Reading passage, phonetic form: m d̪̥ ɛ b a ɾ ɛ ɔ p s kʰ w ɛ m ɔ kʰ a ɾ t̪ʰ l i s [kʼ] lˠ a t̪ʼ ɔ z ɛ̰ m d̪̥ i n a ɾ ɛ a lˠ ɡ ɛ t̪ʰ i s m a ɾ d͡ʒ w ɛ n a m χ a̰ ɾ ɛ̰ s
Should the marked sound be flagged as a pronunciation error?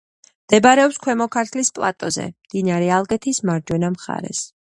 yes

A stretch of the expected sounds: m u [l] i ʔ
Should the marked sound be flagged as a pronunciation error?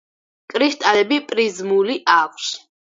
no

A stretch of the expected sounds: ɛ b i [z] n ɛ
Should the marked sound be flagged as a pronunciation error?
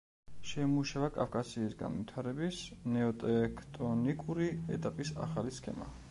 yes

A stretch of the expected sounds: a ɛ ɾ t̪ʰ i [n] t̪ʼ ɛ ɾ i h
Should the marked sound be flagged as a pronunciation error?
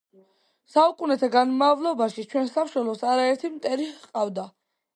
yes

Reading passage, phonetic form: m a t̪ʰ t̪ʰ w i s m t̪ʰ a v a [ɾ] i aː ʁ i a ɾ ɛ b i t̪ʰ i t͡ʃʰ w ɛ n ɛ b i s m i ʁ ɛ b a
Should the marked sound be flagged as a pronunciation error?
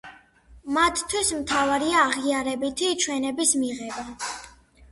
no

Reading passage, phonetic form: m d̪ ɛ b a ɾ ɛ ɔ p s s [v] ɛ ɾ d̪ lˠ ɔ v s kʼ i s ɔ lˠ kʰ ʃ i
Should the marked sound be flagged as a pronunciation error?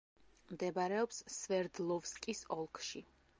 no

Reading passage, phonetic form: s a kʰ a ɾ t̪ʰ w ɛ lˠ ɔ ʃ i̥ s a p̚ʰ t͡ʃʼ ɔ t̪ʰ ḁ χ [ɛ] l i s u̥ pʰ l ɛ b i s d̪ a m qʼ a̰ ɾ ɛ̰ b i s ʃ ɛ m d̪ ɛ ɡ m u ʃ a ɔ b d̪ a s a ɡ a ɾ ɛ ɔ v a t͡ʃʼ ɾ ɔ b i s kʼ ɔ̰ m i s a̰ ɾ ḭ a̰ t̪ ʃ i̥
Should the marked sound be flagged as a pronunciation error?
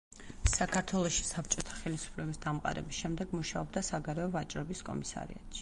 no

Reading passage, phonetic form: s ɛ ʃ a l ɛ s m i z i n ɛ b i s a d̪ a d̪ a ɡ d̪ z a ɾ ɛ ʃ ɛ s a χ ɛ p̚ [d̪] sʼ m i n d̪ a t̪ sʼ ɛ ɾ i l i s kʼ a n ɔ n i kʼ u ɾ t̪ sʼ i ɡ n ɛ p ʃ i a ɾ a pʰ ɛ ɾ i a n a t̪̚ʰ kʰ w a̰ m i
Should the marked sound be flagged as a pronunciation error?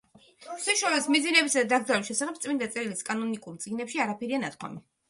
yes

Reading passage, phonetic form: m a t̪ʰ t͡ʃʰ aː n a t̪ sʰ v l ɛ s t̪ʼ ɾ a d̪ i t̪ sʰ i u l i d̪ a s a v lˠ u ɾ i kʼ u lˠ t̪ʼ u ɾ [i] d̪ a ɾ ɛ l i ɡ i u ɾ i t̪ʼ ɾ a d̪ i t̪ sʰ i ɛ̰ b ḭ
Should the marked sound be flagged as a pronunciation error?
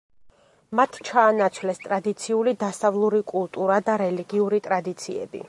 yes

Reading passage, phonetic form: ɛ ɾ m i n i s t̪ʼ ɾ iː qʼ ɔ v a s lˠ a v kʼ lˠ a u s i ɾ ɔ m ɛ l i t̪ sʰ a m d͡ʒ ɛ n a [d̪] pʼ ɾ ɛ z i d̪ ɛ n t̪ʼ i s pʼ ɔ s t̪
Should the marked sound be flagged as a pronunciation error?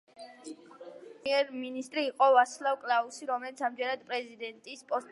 no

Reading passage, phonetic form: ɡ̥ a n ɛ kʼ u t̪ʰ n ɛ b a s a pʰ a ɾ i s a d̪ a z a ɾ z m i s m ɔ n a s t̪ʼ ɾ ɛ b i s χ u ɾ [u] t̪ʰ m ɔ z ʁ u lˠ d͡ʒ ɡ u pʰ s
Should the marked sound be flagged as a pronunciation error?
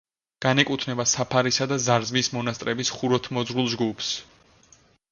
yes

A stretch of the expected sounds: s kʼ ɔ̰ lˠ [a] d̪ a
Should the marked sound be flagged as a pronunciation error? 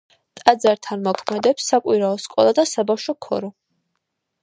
no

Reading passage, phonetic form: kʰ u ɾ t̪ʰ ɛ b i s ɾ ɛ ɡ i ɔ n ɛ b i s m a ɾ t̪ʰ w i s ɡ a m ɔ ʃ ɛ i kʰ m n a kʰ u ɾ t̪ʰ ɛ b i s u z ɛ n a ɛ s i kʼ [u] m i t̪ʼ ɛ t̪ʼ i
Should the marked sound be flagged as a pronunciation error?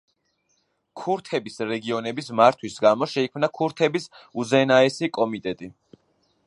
yes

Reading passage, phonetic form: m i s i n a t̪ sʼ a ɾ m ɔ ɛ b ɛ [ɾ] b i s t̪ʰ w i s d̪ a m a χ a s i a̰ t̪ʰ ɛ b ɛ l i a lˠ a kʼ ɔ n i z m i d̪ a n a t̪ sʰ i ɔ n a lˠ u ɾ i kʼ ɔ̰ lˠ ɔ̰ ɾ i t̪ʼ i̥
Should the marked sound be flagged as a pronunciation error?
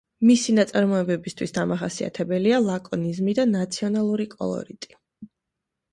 yes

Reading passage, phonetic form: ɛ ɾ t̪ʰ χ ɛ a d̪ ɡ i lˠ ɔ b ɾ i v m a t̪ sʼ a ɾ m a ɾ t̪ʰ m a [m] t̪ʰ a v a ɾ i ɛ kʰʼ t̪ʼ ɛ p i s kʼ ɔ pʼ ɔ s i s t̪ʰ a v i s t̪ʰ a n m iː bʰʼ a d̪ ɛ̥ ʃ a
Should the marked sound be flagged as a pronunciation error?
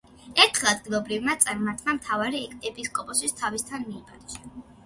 no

